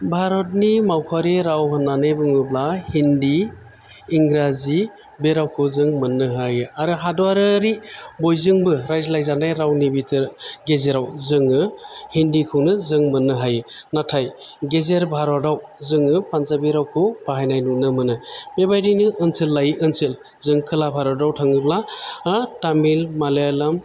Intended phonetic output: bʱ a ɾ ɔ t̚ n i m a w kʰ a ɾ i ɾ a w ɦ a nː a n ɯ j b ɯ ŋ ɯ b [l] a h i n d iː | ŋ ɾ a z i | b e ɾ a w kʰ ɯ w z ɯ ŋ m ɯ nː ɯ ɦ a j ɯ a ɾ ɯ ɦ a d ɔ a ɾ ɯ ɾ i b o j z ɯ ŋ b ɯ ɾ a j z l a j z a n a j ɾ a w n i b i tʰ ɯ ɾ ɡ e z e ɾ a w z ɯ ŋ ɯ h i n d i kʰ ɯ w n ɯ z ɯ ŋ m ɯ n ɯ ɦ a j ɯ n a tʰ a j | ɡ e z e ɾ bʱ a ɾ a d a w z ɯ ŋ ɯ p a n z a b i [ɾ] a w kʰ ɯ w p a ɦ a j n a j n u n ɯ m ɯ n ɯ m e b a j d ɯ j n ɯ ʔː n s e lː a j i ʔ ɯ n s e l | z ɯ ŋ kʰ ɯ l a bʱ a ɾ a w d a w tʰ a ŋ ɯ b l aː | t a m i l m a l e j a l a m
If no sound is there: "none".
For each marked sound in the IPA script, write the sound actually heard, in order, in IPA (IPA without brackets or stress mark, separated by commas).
l, ɾ